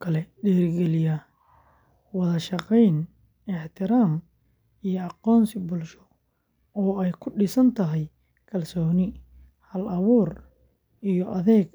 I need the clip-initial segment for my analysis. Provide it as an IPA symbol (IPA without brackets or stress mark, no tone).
kʰ